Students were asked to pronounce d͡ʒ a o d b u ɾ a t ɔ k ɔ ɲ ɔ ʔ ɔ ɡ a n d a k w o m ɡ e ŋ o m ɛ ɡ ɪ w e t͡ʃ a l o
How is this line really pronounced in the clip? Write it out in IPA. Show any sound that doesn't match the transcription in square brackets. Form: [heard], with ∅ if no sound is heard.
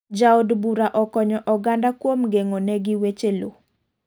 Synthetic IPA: d͡ʒ a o d b u ɾ a [ʔ] ɔ k ɔ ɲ ɔ ʔ ɔ ɡ a n d a k w o m ɡ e ŋ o [n] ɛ ɡ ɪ w e t͡ʃ [e] l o